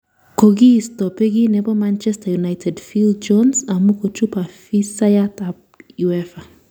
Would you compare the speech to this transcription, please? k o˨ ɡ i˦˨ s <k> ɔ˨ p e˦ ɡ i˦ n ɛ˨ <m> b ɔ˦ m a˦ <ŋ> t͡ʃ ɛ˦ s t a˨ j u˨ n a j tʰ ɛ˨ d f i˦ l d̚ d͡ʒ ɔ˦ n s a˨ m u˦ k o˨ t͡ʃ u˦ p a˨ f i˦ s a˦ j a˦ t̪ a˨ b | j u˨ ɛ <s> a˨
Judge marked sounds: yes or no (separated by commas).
no, no, no, no